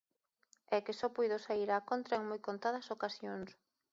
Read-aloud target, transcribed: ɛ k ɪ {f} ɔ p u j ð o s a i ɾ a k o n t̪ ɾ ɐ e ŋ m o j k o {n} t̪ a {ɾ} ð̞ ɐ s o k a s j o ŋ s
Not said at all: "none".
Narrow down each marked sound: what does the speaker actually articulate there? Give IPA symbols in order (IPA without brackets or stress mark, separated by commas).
s, n, none